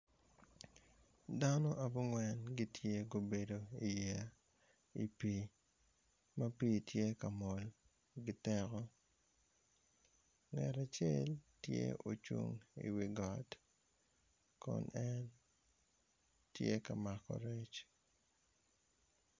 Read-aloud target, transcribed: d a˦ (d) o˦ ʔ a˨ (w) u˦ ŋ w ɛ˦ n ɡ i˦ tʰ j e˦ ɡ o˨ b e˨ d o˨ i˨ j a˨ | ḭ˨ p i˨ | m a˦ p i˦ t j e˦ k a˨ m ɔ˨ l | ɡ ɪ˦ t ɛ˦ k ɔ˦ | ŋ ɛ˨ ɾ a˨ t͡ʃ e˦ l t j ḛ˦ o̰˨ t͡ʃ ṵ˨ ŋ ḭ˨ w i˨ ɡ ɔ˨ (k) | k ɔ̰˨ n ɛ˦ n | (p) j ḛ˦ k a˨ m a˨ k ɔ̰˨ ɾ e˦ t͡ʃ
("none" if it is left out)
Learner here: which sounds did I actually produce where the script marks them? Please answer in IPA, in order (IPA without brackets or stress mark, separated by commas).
n, b, t, t